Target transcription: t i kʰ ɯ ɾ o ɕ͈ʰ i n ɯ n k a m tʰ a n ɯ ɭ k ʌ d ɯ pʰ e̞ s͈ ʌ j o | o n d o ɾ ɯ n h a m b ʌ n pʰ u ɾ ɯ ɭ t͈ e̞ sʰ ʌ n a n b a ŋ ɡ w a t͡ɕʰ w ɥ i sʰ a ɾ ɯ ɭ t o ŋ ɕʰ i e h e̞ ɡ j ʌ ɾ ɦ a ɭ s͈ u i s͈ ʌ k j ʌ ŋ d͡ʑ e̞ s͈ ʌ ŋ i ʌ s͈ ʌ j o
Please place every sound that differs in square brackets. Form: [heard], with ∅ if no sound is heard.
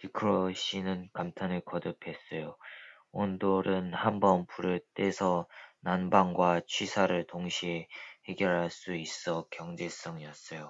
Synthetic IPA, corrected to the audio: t i kʰ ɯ ɾ o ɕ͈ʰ i n ɯ n k a m tʰ a n ɯ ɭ k ʌ d ɯ pʰ e̞ s͈ ʌ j o | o n d o ɾ ɯ n h a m b ʌ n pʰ u ɾ ɯ ɭ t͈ e̞ sʰ ʌ n a n b a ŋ ɡ w a t͡ɕʰ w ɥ i sʰ a ɾ ɯ ɭ t o ŋ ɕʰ i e h e̞ ɡ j ʌ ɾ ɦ a ɭ s͈ u i s͈ ʌ k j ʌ ŋ d͡ʑ e̞ s͈ ʌ ŋ i ʌ s͈ ʌ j o

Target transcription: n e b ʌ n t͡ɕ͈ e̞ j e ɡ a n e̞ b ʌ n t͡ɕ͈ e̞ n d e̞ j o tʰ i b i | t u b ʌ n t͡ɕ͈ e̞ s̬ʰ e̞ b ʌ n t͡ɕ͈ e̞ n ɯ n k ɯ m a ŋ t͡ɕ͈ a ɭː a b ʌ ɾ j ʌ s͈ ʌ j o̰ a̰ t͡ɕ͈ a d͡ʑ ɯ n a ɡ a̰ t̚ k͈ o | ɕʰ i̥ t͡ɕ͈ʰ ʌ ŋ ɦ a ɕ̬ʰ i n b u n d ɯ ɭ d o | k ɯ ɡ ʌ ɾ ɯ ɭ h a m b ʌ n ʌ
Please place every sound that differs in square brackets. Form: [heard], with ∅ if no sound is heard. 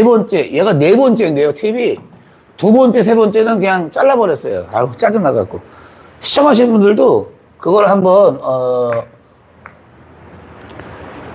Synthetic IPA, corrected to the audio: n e b ʌ n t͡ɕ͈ e̞ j e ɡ a n e̞ b ʌ n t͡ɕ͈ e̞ n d e̞ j o tʰ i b i | t u b ʌ n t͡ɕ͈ e̞ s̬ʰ e̞ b ʌ n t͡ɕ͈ e̞ n ɯ n k ɯ [ɲ] a ŋ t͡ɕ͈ a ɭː a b ʌ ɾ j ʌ s͈ ʌ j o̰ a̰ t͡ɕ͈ a d͡ʑ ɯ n a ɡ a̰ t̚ k͈ o | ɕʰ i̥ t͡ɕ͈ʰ ʌ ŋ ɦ a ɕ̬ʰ i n b u n d ɯ ɭ d o | k ɯ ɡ ʌ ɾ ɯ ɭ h a m b ʌ n ʌ

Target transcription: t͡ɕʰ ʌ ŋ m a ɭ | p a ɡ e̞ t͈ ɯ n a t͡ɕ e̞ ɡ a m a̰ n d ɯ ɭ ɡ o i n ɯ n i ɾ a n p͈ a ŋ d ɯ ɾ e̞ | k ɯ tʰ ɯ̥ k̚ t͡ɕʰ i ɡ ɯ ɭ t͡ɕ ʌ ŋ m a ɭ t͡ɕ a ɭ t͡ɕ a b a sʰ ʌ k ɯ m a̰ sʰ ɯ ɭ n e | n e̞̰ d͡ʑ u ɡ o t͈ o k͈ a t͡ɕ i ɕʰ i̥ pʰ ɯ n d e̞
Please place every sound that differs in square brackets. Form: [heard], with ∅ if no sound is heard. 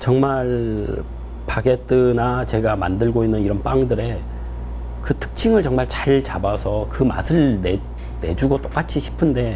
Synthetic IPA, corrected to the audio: [t͡ɕ] ʌ ŋ m a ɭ | p a ɡ e̞ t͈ ɯ n a t͡ɕ e̞ ɡ a m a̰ n d ɯ ɭ ɡ o i [nː] ɯ n i ɾ [ʌ] n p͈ a ŋ d ɯ ɾ e̞ | k ɯ tʰ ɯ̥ k̚ t͡ɕʰ i [ŋ] ɯ ɭ t͡ɕ ʌ ŋ m a ɭ t͡ɕ a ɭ t͡ɕ a b a sʰ ʌ k ɯ m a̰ sʰ ɯ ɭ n e | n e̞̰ d͡ʑ u ɡ o t͈ o k͈ a [t͡ɕʰ] i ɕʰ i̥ pʰ ɯ n d e̞

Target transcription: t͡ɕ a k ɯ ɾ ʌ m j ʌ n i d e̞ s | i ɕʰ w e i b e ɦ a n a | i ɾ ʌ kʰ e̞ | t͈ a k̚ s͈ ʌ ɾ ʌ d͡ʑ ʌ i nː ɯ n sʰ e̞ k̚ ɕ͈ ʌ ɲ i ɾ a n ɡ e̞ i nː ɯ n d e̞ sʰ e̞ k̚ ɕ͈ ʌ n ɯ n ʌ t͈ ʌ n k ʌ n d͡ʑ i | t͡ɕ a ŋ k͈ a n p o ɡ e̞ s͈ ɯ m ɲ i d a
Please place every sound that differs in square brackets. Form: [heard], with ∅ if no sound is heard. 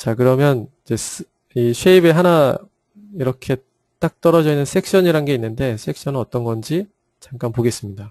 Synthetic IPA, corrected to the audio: t͡ɕ a k ɯ ɾ ʌ m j ʌ n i [d͡ʑ] e̞ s | i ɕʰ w e i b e ɦ a n a | i ɾ ʌ kʰ e̞ | t͈ a k̚ [t͈] ʌ ɾ ʌ d͡ʑ ʌ i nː ɯ n sʰ e̞ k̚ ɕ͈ ʌ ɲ i ɾ a n ɡ e̞ i nː ɯ n d e̞ sʰ e̞ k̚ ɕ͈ ʌ n ɯ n ʌ t͈ ʌ n [ɡ] ʌ n d͡ʑ i | t͡ɕ a ŋ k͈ a n p o ɡ e̞ s͈ ɯ m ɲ i d a

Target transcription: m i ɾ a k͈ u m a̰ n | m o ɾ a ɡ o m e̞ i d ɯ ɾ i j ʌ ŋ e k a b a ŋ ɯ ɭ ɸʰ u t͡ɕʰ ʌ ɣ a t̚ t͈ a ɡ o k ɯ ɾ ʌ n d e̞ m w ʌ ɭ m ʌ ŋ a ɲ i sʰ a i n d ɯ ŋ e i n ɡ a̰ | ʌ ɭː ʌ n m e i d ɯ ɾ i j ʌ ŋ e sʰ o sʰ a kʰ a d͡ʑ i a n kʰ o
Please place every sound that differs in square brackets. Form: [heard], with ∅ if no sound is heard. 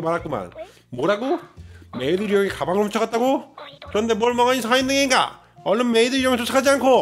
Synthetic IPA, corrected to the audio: m [a] ɾ a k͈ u m a̰ n | m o ɾ a ɡ o m e̞ i d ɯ ɾ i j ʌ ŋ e k a b a ŋ ɯ ɭ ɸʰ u t͡ɕʰ ʌ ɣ a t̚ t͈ a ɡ o k ɯ ɾ ʌ n d e̞ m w ʌ ɭ m ʌ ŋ a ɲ i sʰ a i n d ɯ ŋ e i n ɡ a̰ | ʌ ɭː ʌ n m e i d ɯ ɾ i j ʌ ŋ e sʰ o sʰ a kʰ a d͡ʑ i a n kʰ o

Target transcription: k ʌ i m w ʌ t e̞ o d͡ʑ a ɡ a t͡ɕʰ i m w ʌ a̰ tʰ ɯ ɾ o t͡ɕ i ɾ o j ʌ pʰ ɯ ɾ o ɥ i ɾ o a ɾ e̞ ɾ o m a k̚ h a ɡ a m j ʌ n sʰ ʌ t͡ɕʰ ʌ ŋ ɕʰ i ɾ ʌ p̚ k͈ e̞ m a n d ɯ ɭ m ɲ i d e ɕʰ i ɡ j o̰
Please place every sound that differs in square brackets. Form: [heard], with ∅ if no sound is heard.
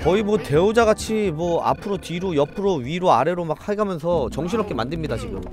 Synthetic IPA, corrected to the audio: k ʌ i m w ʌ t e̞ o d͡ʑ a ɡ a t͡ɕʰ i m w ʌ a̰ [pʰ] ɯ ɾ o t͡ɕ i ɾ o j ʌ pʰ ɯ ɾ o ɥ i ɾ o a ɾ e̞ ɾ o m a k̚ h a ɡ a m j ʌ n sʰ ʌ [t͡ɕ] ʌ ŋ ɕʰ i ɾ ʌ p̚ k͈ e̞ m a n d ɯ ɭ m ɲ i d [a] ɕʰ i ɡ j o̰

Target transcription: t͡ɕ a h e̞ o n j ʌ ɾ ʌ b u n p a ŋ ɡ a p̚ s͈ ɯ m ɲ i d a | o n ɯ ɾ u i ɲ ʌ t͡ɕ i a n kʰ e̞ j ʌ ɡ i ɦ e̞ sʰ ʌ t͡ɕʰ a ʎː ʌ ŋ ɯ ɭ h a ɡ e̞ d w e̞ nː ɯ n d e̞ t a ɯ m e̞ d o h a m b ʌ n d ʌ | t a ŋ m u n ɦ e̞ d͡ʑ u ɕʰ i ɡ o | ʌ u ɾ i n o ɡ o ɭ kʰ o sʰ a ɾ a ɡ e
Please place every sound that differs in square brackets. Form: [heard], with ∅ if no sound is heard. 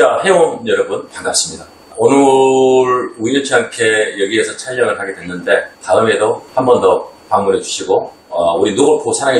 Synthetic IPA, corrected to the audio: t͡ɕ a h e̞ o n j ʌ ɾ ʌ b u n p a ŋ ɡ a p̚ s͈ ɯ m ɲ i d a | o n ɯ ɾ u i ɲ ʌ [t͡ɕʰ] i a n kʰ e̞ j ʌ ɡ i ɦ e̞ sʰ ʌ t͡ɕʰ a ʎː ʌ ŋ ɯ ɭ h a ɡ e̞ d w e̞ nː ɯ n d e̞ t a ɯ m e̞ d o h a m b ʌ n d ʌ | [p] a ŋ m u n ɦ e̞ d͡ʑ u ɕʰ i ɡ o | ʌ u ɾ i n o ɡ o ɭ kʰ o sʰ a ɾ a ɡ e

